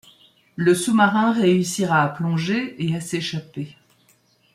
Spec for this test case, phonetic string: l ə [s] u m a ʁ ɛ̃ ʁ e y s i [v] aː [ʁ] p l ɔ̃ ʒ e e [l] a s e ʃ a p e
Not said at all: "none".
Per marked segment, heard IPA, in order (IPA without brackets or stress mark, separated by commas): s, ʁ, none, none